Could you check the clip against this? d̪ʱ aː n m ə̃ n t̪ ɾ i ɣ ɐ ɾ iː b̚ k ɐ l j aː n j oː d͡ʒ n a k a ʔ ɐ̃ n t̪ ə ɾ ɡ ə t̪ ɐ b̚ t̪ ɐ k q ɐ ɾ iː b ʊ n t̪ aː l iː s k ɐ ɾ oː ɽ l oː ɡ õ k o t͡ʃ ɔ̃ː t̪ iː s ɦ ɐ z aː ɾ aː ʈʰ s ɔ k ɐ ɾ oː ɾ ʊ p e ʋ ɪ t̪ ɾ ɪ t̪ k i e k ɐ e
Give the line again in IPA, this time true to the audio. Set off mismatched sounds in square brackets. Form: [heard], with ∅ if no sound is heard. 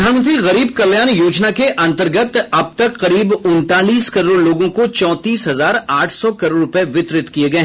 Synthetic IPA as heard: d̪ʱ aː n m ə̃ n t̪ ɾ i ɣ ɐ ɾ iː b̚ k ɐ l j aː n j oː d͡ʒ n a k [e] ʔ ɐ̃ n t̪ ə ɾ ɡ ə t̪ ɐ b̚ t̪ ɐ k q ɐ ɾ iː b ʊ n t̪ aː l iː s k ɐ ɾ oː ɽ l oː ɡ õ k o t͡ʃ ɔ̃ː t̪ iː s ɦ ɐ z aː ɾ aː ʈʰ s ɔ k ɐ ɾ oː ɾ ʊ p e ʋ ɪ t̪ ɾ ɪ t̪ k i e [ɡ] ɐ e